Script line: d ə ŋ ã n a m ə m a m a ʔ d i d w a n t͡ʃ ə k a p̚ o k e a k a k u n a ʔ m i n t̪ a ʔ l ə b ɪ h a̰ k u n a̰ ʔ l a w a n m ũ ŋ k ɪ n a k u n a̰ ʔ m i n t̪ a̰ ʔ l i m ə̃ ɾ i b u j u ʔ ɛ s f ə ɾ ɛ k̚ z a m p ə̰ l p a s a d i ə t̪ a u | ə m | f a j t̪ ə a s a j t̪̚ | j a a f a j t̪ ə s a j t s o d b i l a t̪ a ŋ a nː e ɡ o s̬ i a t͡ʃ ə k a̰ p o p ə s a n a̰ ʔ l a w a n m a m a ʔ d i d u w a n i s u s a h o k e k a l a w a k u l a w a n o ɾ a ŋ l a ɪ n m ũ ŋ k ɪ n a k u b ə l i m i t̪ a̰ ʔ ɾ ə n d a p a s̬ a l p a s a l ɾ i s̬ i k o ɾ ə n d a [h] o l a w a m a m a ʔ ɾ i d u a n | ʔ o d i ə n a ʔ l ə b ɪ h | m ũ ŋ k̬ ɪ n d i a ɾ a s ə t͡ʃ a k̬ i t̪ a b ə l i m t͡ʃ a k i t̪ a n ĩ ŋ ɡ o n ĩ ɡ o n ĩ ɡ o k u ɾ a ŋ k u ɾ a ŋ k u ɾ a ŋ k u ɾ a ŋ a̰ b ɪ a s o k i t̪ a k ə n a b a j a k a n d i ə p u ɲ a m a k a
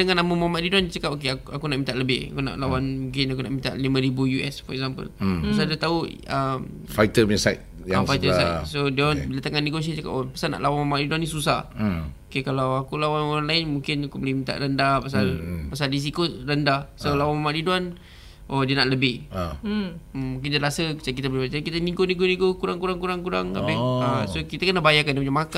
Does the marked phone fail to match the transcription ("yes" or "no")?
yes